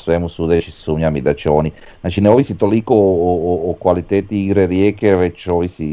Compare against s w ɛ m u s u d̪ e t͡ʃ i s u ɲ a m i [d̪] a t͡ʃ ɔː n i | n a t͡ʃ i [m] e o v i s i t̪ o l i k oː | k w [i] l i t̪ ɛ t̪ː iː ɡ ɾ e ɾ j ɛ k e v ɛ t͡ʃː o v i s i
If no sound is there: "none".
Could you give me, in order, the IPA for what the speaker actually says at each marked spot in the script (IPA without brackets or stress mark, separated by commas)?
d̪, n, a